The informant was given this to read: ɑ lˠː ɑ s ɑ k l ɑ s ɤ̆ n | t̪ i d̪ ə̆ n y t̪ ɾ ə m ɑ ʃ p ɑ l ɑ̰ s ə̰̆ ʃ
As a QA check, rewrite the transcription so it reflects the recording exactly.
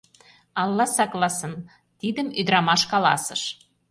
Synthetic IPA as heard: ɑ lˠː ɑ s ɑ k l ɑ s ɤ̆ n | t̪ i d̪ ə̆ m y d̪ ɾ ɑ m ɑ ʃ k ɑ l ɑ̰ s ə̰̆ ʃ